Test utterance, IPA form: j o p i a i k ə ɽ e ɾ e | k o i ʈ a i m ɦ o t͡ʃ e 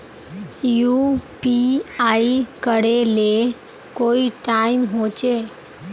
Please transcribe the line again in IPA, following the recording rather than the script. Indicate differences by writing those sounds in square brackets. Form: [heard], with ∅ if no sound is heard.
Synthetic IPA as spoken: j [u] p i a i k ə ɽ e [l] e | k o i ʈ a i m ɦ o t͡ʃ e